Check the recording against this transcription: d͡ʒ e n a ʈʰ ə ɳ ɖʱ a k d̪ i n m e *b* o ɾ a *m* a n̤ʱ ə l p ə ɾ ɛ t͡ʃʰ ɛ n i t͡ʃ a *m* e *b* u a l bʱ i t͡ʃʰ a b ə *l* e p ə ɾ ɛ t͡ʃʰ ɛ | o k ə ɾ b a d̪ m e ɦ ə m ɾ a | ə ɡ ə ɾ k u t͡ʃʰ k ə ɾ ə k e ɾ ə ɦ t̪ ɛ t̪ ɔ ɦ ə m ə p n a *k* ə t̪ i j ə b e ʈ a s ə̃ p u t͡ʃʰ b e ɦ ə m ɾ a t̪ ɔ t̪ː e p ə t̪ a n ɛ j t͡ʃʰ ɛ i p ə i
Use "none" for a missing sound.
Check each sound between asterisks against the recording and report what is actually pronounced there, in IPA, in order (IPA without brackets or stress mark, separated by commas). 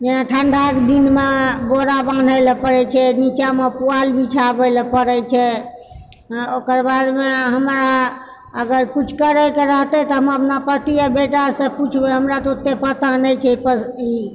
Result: b, b, m, p, l, p